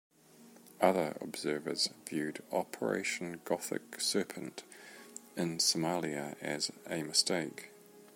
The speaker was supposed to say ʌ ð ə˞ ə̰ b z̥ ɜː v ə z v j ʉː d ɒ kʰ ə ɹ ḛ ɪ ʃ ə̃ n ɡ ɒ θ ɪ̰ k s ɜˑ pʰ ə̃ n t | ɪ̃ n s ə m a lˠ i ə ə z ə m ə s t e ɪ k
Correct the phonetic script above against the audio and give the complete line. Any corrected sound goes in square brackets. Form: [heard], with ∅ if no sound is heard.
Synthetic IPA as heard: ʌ ð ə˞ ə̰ b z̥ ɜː v ə z v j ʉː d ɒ [pʰ] ə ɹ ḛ ɪ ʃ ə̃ n ɡ ɒ θ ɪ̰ k s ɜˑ pʰ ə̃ n t | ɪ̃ n s ə m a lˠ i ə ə z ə m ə s t e ɪ k